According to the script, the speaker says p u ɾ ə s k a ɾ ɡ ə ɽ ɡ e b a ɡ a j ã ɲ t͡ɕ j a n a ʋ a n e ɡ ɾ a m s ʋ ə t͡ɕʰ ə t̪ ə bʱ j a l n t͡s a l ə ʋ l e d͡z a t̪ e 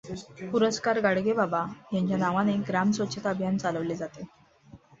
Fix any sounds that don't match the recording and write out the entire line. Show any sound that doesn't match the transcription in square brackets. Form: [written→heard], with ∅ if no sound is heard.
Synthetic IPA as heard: p u ɾ ə s k a ɾ ɡ [ə→a] ɽ ɡ e b a [ɡ→b] a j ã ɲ t͡ɕ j a n a ʋ a n e ɡ ɾ a m s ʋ ə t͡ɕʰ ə t̪ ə bʱ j a [l→∅] n t͡s a l ə ʋ l e d͡z a t̪ e